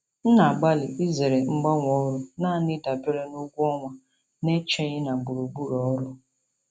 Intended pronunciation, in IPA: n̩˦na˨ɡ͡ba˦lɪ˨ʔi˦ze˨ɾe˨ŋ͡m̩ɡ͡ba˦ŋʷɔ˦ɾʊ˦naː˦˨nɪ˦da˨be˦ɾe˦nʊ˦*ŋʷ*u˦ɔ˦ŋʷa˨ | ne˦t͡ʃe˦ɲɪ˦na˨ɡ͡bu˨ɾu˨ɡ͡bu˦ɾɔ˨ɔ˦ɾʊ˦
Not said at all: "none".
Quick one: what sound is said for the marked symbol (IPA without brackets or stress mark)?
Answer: ɡʷ